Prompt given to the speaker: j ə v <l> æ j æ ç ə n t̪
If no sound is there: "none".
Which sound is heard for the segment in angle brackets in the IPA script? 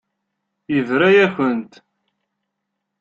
ɾ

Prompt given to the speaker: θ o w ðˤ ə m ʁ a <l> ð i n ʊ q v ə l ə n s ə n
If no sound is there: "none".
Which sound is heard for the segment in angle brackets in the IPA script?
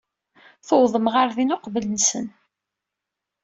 ɾ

